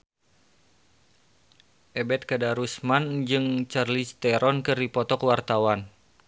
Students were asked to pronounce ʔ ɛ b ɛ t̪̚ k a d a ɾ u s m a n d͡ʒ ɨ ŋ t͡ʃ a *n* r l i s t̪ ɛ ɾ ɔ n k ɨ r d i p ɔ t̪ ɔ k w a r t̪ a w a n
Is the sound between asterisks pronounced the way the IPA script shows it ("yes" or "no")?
no